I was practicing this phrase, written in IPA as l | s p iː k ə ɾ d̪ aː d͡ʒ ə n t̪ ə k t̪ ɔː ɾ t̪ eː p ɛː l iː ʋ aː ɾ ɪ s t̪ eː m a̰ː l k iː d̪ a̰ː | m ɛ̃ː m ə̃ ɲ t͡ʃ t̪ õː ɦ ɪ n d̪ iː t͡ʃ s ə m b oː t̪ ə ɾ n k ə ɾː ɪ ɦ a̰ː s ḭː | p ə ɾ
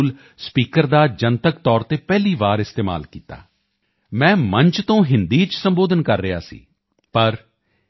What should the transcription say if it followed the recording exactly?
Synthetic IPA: l | s p iː k ə ɾ d̪ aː d͡ʒ ə n t̪ ə k t̪ ɔː ɾ t̪ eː p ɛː l iː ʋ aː ɾ ɪ s t̪ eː m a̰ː l k iː t̪ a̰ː | m ɛ̃ː m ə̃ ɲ t͡ʃ t̪ õː ɦ ɪ n d̪ iː t͡ʃ s ə m b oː d̪ ə n k ə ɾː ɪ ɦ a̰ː s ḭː | p ə ɾ

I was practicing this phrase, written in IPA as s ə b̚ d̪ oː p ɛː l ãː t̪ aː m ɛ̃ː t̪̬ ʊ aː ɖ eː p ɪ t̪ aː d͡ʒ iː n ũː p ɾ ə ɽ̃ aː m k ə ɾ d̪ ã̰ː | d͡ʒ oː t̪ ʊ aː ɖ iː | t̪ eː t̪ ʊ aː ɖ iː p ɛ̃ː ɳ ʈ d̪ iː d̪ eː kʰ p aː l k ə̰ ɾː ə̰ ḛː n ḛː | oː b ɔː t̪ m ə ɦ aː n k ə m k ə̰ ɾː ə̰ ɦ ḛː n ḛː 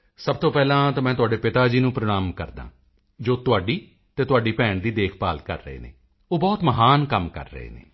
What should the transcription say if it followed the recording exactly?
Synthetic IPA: s ə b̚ t̪ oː p ɛː l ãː t̪ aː m ɛ̃ː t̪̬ ʊ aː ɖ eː p ɪ t̪ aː d͡ʒ iː n ũː p ɾ ə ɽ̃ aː m k ə ɾ d̪ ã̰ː | d͡ʒ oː t̪ ʊ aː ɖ iː | t̪ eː t̪ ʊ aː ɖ iː p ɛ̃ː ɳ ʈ d̪ iː d̪ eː kʰ p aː l k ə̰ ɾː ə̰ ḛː n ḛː | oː b ɔː t̪ m ə ɦ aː n k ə m k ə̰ ɾː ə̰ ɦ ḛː n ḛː

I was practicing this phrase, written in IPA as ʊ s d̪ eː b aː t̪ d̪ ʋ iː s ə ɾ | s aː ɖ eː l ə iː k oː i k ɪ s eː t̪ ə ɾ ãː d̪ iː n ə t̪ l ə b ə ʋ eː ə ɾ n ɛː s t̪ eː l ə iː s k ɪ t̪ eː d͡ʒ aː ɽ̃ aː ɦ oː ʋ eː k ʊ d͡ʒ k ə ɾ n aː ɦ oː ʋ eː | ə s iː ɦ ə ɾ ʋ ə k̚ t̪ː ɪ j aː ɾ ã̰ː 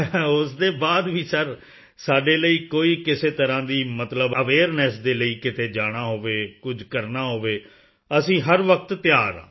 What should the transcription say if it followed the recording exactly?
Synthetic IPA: ʊ s d̪ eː b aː d̪ ʋ iː s ə ɾ | s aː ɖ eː l ə iː k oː iː k ɪ s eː t̪ ə ɾ ãː d̪ iː m ə t̪ l ə b ə ʋ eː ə ɾ n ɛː s d̪ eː l ə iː k ɪ t̪ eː d͡ʒ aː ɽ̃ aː ɦ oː ʋ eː k ʊ d͡ʒ k ə ɾ n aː ɦ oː ʋ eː | ə s ĩː ɦ ə ɾ ʋ ə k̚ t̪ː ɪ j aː ɾ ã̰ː

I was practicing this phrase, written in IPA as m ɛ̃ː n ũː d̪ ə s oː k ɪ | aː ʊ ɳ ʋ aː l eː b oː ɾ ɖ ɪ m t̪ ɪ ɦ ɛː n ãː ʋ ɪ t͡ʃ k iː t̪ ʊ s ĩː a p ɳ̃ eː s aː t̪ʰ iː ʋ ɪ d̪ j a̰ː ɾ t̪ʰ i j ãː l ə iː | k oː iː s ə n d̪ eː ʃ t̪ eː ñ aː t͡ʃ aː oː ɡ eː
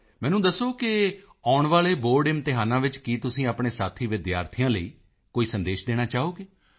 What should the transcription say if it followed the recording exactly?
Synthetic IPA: m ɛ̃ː n ũː d̪ ə s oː k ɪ | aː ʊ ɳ ʋ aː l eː b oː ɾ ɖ ɪ m t̪ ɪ ɦ aː n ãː ʋ ɪ t͡ʃ k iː t̪ ʊ s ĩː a p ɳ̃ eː s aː t̪ʰ iː ʋ ɪ d̪ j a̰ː ɾ t̪ʰ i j ãː l ə iː | k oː iː s ə n d̪ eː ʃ d̪ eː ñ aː t͡ʃ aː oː ɡ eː

